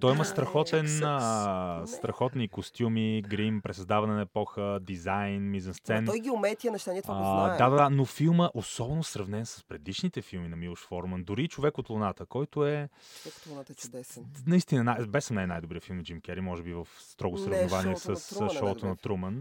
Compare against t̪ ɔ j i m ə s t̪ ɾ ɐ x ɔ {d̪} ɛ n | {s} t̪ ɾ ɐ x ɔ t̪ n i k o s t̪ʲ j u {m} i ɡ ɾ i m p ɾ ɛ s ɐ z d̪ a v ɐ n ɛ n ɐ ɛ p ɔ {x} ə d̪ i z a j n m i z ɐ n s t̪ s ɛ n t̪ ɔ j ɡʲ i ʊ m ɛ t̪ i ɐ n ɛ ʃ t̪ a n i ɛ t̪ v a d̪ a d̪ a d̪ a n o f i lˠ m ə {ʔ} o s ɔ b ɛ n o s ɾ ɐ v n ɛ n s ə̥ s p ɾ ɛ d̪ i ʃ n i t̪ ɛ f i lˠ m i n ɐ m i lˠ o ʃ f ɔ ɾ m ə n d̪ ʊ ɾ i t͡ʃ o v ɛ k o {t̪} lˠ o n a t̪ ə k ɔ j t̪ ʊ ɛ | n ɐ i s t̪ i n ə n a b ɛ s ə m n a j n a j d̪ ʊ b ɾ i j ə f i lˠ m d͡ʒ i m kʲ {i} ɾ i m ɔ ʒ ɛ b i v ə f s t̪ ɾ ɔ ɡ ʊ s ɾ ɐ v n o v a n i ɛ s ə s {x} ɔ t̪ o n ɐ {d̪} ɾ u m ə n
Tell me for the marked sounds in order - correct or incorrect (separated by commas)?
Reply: incorrect, correct, correct, correct, correct, correct, incorrect, incorrect, incorrect